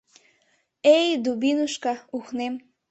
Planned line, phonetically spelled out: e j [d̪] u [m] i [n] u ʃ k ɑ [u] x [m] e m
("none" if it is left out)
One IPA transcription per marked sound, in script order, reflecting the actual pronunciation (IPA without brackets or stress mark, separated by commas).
d̪, b, n, u, n